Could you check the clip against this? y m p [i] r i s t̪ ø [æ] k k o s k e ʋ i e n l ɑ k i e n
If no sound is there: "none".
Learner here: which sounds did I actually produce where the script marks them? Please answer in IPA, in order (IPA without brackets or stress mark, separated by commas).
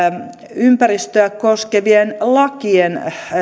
æ, æ